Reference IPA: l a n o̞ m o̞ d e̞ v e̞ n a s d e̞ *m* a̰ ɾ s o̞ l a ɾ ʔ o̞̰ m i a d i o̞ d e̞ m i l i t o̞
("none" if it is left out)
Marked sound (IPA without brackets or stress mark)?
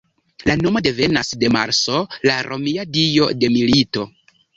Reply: m